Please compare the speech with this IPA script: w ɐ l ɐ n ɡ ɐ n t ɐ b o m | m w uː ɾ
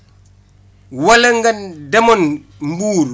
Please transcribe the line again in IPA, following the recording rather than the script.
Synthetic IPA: w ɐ l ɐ ŋ ɡ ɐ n d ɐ m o n | m b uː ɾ